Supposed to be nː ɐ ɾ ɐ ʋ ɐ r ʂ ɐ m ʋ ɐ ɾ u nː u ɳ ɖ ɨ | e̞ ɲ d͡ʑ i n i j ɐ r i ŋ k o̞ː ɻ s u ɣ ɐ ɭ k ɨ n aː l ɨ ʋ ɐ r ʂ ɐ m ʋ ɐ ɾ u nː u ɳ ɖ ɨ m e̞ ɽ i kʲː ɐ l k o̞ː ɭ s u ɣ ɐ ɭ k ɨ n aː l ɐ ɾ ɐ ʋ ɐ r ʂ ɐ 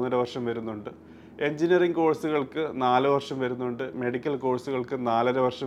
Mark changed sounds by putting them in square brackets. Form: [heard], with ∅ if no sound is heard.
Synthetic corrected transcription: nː ɐ ɾ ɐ ʋ ɐ r ʂ ɐ m ʋ ɐ ɾ u nː u ɳ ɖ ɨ | e̞ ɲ d͡ʑ i n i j ɐ r i ŋ k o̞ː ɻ s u ɣ ɐ ɭ k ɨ n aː l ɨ ʋ ɐ r ʂ ɐ m ʋ ɐ ɾ u nː u ɳ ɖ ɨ m e̞ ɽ i kʲː ɐ l k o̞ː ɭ s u ɣ ɐ ɭ k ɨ n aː l ɐ ɾ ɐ ʋ ɐ r ʂ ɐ